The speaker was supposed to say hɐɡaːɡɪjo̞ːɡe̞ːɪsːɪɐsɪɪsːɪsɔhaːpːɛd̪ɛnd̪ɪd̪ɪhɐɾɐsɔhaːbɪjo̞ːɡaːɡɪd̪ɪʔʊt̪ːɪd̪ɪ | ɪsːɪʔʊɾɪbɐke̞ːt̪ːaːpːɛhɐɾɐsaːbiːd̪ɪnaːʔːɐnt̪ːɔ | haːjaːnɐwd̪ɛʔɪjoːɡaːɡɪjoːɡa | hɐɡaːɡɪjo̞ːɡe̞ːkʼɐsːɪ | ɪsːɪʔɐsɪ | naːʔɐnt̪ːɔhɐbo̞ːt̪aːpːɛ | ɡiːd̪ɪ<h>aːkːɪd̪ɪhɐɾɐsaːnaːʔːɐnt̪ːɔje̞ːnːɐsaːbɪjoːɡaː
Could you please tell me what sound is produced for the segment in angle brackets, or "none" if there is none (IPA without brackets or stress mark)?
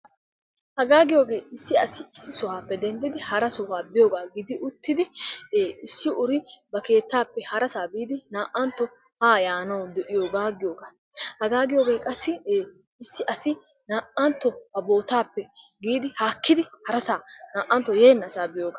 h